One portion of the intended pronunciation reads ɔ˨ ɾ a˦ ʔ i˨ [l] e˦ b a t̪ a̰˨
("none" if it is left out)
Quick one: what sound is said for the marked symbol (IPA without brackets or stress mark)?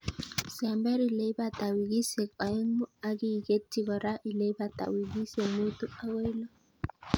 l